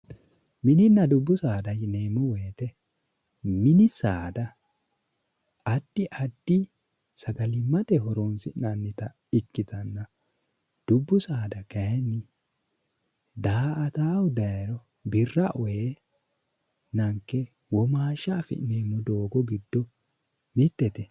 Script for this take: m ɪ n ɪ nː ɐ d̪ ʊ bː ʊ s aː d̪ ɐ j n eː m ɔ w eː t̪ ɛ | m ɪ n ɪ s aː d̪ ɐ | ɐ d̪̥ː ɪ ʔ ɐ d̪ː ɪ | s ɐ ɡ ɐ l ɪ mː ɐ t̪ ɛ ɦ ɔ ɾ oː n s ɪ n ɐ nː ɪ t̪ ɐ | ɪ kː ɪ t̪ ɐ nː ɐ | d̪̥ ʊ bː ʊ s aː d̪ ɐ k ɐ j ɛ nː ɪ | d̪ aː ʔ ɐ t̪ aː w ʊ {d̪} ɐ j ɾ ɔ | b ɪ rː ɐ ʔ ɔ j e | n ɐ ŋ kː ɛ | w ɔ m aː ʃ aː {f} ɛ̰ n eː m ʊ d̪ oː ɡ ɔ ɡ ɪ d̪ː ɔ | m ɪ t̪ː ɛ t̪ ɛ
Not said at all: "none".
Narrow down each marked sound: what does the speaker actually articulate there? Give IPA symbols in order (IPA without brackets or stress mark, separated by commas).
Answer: d̪, f